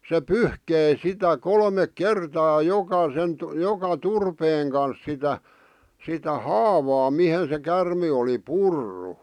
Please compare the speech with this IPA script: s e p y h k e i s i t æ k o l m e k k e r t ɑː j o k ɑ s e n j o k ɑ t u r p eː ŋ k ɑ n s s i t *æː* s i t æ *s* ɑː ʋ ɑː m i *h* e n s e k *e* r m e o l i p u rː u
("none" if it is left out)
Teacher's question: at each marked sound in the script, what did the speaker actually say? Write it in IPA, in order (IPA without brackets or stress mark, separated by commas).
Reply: æ, h, h, æ